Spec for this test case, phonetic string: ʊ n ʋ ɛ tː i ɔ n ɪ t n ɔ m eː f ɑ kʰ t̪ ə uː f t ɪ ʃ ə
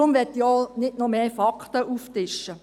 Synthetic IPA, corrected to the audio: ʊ m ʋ ɛ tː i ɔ n ɪ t n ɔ m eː f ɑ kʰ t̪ ə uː f t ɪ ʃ ə